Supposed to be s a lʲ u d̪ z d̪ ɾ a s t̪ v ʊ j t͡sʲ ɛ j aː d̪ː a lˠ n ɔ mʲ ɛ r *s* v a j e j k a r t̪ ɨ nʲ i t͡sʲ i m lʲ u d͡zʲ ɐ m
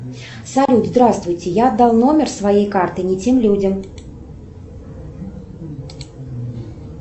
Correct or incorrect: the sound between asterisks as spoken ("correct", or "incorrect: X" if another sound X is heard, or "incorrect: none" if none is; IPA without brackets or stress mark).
correct